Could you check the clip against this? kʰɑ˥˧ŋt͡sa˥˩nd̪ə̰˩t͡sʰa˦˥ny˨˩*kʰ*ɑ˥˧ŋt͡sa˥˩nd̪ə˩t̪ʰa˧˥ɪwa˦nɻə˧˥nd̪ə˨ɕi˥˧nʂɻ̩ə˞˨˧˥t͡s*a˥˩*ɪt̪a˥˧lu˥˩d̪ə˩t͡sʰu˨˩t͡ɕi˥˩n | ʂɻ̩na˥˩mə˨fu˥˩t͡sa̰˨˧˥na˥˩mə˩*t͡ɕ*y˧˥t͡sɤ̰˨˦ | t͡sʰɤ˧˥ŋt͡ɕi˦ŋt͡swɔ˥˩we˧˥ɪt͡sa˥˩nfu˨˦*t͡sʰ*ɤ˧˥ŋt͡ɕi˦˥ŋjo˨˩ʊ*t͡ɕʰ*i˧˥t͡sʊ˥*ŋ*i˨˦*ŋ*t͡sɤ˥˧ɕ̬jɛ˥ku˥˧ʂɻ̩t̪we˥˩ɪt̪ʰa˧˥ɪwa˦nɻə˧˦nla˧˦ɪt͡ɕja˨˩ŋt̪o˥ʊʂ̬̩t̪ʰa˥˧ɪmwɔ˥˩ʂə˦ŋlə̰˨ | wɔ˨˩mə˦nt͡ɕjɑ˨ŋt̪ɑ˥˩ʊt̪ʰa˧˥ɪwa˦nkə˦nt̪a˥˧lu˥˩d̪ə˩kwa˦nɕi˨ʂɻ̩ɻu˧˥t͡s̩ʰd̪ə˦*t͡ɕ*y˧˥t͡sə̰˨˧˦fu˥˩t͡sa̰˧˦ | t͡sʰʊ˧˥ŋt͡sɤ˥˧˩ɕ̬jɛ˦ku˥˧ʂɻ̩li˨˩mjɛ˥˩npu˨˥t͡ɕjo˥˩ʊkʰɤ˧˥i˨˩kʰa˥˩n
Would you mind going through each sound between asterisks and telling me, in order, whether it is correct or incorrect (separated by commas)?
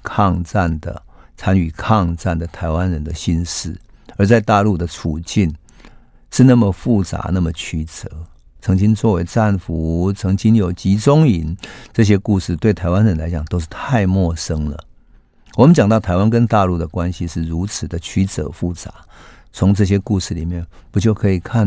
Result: correct, incorrect, incorrect, correct, incorrect, correct, incorrect, incorrect